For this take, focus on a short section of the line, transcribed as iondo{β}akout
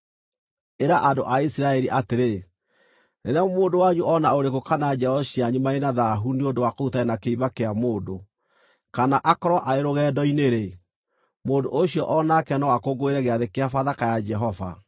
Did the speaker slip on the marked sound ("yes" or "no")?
yes